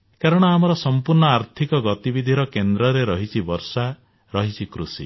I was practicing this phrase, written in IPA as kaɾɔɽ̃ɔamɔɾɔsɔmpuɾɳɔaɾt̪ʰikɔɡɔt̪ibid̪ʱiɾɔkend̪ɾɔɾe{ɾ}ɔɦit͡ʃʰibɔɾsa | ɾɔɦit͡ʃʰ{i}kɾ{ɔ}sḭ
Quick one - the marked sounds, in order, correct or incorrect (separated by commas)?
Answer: correct, correct, incorrect